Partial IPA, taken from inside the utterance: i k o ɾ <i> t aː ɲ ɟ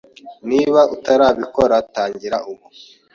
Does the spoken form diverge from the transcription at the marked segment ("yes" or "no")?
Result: yes